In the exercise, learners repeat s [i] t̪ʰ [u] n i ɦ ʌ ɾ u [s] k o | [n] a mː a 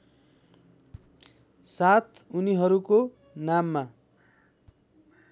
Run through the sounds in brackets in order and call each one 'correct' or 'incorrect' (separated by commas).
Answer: incorrect, correct, incorrect, correct